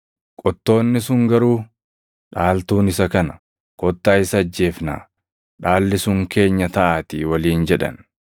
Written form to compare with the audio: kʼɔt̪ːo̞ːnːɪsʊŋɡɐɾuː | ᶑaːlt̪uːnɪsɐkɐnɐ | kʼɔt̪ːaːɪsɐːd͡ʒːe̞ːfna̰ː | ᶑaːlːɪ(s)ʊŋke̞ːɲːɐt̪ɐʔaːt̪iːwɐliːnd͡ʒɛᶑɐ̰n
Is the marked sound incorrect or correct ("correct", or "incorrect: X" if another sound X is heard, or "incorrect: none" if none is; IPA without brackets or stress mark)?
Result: correct